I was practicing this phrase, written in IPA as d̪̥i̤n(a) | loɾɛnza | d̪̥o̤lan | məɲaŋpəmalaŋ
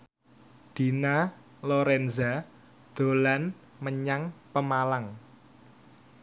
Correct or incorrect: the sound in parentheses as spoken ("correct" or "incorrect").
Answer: correct